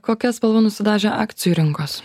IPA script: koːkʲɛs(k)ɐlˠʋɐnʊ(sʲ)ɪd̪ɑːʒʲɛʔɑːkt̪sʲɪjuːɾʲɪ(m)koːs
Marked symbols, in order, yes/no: no, yes, no

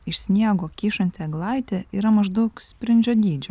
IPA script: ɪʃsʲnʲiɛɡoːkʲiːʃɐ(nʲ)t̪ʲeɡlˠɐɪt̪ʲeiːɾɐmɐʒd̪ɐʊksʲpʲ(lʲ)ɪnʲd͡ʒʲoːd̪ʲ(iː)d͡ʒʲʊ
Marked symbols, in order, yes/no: yes, no, yes

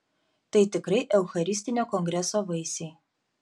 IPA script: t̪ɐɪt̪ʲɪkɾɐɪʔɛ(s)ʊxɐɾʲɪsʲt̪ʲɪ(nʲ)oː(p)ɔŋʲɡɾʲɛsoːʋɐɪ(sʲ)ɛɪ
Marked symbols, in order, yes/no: no, yes, no, yes

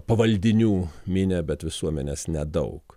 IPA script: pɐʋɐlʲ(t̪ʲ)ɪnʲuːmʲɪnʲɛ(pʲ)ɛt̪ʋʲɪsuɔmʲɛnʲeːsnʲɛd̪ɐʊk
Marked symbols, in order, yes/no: no, no

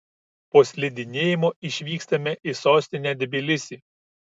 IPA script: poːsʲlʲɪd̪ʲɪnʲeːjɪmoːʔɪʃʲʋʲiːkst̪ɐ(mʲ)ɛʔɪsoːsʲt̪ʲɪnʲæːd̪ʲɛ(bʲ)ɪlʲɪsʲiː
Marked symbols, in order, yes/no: yes, yes

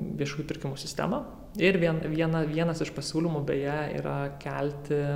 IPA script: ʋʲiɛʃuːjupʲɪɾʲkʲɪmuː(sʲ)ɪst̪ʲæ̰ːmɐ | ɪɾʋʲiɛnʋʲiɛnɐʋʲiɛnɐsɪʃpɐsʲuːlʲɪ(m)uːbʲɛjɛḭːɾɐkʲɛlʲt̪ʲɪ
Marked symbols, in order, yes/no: yes, yes

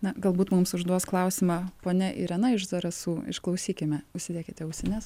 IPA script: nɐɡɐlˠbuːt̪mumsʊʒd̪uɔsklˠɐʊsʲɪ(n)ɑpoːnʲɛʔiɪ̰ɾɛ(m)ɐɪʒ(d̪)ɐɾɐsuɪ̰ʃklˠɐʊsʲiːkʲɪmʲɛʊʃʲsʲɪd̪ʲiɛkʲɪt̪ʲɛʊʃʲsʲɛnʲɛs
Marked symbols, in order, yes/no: no, no, yes

